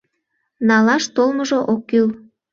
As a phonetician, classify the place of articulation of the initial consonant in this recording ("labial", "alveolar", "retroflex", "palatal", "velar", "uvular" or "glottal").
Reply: alveolar